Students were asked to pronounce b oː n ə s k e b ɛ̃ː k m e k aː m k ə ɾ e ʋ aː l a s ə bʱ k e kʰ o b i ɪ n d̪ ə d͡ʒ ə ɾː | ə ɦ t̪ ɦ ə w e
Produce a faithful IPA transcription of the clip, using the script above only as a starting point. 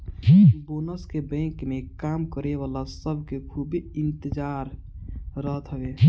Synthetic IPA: b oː n ə s k e b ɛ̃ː k m e k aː m k ə ɾ e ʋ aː l a s ə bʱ k e kʰ u b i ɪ n t̪ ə d͡ʒ a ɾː | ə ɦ t̪ ɦ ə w e